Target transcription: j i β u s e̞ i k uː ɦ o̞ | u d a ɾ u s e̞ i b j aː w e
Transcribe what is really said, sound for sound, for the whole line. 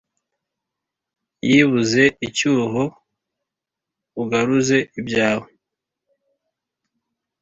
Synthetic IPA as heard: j i β u z e̞ i c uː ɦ o̞ | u ɡ a ɾ u z e̞ i b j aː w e